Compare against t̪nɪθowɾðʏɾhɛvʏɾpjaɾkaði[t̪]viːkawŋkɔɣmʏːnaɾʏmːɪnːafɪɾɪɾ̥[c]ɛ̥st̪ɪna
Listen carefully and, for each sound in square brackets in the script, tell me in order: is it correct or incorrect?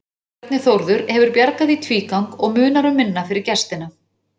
incorrect: t̪ʰ, correct

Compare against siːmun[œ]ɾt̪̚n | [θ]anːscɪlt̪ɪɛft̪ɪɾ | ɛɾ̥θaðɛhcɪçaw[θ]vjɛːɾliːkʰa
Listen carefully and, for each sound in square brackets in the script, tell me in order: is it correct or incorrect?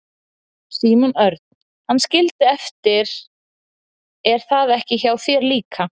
correct, incorrect: h, correct

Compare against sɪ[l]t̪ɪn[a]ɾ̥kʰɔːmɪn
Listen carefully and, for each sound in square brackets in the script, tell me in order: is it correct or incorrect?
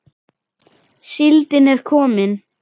correct, incorrect: ɛ

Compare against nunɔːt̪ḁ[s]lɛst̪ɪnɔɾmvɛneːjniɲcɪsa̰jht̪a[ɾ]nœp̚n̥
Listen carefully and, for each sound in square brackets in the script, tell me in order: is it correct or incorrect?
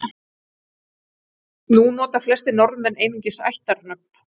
incorrect: f, correct

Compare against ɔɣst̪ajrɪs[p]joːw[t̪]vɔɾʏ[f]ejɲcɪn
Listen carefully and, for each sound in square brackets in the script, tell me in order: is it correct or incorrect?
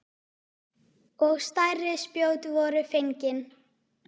correct, correct, correct

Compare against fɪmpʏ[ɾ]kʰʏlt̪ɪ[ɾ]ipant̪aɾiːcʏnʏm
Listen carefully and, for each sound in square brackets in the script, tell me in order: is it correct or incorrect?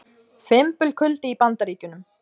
incorrect: l, incorrect: none

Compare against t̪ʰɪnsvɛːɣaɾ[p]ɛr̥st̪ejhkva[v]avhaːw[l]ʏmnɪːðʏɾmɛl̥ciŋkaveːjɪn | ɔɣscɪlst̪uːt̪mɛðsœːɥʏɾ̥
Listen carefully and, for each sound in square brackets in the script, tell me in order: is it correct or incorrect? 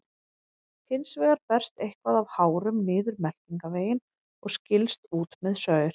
correct, incorrect: ð, incorrect: ɾ

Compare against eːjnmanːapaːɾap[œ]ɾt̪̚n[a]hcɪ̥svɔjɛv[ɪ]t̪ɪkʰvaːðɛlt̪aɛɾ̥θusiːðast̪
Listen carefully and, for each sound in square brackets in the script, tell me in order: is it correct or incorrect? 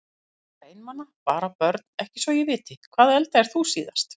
correct, incorrect: ɛ, incorrect: ɪː

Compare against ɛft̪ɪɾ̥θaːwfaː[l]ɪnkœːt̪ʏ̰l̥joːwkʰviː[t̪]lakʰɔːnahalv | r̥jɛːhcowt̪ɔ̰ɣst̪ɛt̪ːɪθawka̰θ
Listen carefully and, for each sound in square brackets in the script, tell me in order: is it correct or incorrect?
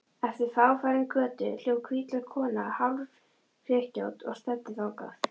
incorrect: ɾ, correct

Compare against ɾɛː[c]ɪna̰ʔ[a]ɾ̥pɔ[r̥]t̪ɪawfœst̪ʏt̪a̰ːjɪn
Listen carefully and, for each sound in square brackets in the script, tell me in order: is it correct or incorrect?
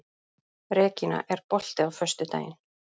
correct, incorrect: ɛ, incorrect: l̥

